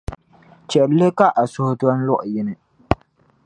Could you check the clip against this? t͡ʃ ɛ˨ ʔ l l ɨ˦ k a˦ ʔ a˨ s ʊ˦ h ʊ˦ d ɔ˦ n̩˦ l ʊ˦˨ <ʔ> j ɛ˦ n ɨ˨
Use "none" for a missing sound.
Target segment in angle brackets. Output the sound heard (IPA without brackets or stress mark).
ʔ